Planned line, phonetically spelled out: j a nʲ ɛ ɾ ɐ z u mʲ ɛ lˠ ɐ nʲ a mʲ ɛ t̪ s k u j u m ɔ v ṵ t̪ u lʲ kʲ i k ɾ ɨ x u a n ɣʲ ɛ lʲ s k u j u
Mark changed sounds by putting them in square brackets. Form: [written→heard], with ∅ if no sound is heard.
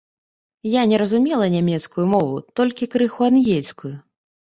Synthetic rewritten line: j a nʲ ɛ ɾ ɐ z u mʲ ɛ lˠ ɐ nʲ a mʲ ɛ t̪ s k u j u m ɔ v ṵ t̪ [u→ɔ] lʲ kʲ i k ɾ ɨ x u a n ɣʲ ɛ lʲ s k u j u